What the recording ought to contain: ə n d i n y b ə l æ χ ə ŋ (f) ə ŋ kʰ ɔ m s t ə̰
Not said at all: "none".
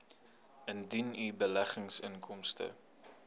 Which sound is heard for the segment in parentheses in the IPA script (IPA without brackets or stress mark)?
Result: s